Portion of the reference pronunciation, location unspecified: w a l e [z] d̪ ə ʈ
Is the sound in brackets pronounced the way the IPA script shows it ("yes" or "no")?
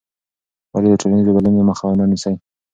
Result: no